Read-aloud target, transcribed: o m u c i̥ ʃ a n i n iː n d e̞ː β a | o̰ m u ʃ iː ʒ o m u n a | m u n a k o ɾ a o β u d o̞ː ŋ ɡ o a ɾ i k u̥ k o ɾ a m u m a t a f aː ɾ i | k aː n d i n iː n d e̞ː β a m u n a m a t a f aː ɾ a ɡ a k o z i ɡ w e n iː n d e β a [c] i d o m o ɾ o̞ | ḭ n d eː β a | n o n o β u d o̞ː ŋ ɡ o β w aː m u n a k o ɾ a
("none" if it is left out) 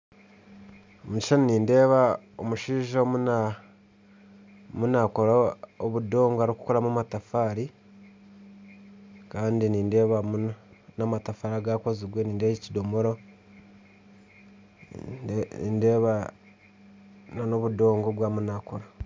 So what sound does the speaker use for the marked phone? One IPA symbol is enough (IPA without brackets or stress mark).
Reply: c